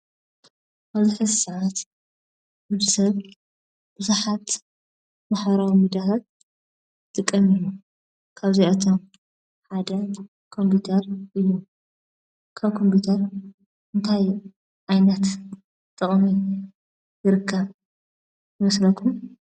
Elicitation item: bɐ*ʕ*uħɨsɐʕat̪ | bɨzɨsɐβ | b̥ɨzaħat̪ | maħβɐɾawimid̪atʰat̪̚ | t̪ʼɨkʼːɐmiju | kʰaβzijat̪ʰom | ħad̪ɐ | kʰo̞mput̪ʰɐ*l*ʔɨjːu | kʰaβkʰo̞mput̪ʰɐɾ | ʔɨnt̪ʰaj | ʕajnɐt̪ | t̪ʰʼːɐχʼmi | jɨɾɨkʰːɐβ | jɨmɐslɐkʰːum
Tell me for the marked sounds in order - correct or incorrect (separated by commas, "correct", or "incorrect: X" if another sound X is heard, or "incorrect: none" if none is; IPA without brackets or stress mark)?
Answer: incorrect: z, incorrect: ɾ